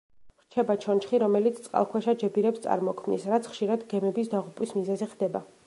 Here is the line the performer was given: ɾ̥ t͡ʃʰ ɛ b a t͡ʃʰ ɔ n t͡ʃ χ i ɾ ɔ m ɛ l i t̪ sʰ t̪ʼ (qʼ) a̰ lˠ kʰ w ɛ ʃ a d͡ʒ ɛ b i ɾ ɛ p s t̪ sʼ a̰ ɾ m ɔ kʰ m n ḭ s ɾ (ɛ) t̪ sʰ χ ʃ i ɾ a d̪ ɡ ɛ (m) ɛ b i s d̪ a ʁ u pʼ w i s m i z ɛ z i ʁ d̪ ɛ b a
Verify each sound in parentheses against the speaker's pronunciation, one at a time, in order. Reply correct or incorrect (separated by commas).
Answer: correct, incorrect, correct